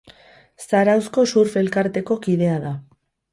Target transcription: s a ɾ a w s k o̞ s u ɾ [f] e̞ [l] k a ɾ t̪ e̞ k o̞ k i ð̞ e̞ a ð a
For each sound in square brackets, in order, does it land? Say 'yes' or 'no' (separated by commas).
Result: yes, yes